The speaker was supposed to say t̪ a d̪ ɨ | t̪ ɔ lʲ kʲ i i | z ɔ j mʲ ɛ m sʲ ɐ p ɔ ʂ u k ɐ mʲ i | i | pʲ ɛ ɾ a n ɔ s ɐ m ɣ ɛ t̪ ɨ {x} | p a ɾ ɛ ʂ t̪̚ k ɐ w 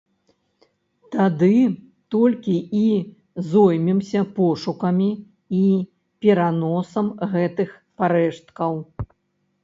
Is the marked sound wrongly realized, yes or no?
no